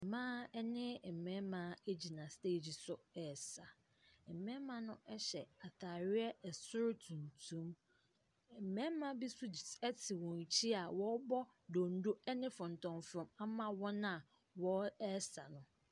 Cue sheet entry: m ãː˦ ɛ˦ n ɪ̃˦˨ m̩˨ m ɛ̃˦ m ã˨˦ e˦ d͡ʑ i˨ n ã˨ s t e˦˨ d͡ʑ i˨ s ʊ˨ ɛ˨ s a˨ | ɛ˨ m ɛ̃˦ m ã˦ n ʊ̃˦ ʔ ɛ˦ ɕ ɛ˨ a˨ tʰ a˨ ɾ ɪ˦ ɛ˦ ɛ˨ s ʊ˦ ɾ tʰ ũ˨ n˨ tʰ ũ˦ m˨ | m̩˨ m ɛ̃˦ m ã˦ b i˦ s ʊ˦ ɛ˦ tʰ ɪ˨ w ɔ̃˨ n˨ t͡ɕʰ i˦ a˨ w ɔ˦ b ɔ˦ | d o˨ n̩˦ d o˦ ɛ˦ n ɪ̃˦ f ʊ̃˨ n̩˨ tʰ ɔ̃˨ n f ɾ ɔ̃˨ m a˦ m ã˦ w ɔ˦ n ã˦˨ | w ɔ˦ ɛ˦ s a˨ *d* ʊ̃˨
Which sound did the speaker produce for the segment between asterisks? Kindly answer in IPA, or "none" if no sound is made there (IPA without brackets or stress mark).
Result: n